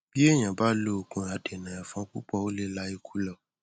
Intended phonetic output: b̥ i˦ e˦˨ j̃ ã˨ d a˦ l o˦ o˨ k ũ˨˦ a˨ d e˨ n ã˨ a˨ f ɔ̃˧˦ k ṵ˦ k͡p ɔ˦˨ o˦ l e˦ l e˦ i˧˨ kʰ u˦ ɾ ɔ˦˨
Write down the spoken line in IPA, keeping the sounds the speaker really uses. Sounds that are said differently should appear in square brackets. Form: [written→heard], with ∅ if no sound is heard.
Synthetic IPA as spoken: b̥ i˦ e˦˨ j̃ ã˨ [d→b] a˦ l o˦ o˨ k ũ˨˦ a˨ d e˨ n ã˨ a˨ f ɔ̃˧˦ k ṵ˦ k͡p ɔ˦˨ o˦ l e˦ l [e˦→a˦] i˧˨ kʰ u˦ [ɾ→l] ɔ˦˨